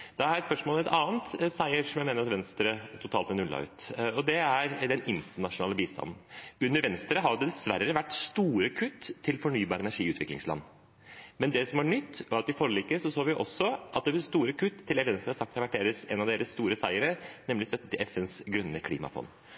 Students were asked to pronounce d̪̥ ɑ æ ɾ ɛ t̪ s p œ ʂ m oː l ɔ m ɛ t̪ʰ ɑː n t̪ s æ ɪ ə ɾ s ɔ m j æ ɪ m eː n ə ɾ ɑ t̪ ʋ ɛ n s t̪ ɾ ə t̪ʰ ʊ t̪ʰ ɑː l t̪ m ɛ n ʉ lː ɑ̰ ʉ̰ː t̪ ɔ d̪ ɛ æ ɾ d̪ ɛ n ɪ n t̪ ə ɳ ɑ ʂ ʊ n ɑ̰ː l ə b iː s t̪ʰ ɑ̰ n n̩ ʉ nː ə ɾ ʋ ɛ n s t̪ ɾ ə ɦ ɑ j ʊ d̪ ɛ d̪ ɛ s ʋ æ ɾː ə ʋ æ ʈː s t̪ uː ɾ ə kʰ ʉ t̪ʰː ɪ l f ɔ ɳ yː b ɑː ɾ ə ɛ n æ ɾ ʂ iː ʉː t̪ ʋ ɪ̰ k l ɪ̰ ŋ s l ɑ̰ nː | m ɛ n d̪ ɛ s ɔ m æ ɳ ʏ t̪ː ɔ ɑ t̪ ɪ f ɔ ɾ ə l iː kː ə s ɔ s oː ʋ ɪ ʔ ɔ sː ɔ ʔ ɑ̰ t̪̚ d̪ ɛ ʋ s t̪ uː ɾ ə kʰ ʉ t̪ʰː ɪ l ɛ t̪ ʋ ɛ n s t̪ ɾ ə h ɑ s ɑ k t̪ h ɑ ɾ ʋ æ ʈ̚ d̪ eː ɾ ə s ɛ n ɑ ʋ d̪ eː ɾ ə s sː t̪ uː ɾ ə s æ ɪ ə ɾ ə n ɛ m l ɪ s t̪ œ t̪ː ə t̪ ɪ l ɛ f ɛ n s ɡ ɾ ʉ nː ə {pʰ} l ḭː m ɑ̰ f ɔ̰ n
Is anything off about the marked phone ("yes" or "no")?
yes